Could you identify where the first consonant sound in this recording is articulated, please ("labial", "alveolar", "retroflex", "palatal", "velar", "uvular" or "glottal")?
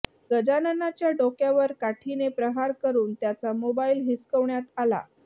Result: velar